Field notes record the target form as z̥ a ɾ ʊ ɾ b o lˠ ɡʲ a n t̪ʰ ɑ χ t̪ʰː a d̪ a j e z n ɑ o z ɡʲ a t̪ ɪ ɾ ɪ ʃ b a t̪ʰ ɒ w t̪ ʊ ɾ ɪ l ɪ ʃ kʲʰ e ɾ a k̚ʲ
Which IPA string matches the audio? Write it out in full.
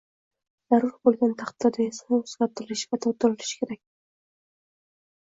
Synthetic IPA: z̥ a ɾ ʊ ɾ b o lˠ ɡʲ a n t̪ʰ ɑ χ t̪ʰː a d̪ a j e s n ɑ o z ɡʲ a t̪ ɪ l ɪ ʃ v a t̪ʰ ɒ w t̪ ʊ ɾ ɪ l ɪ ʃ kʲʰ e ɾ a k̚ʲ

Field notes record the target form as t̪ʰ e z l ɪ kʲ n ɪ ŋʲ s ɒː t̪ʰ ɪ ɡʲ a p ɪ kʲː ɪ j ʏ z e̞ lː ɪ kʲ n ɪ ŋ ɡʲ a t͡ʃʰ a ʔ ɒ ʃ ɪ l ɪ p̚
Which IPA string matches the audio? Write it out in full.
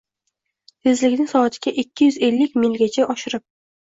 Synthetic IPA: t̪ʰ e z l ɪ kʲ n ɪ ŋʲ s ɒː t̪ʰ ɪ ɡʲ a ʔ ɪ kʲː ɪ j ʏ z e̞ lː ɪ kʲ m ɪ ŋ ɡʲ a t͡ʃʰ a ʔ ɒ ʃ ɪ ɾ ɪ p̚

